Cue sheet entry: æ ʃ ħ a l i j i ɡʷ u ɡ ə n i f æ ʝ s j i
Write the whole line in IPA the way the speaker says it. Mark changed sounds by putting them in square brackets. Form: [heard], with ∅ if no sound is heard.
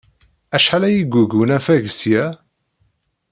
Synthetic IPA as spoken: æ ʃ ħ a l [æ] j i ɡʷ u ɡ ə n [æ] f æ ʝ s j [æ]